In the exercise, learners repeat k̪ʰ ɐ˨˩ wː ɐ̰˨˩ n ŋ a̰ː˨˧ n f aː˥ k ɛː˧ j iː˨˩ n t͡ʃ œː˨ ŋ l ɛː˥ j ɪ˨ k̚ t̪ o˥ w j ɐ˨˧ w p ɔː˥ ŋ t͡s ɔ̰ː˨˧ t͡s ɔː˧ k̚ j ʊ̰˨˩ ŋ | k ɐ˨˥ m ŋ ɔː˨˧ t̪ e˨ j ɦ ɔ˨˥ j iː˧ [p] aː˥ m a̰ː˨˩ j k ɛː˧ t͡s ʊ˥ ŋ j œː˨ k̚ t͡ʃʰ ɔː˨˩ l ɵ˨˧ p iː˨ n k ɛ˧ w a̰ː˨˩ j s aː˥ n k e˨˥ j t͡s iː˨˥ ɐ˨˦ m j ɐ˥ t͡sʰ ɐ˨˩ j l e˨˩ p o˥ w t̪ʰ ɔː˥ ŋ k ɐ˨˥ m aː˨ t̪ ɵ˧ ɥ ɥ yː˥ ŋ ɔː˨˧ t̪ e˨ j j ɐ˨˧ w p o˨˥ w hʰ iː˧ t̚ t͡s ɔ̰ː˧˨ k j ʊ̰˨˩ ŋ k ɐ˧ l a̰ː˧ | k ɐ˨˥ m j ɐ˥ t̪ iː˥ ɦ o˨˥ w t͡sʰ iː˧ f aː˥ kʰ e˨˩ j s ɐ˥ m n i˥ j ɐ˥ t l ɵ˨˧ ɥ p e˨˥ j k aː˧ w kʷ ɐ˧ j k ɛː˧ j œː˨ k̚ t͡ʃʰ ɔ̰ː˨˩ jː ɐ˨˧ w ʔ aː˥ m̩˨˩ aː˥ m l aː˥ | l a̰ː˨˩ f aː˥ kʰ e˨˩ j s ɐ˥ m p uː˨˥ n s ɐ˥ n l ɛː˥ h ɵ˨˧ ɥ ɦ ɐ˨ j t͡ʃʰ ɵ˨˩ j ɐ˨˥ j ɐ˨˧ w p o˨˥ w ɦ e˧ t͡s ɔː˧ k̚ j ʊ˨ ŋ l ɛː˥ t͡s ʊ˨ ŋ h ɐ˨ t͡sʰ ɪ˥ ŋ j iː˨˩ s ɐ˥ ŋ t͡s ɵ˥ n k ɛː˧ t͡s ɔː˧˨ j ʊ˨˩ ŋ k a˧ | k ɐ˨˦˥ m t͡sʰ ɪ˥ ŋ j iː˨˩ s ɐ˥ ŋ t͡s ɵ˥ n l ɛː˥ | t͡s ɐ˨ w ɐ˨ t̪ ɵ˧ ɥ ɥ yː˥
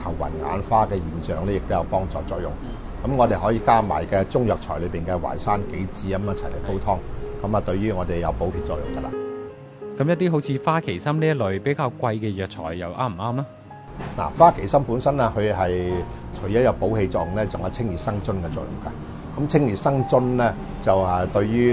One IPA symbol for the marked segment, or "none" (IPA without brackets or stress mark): k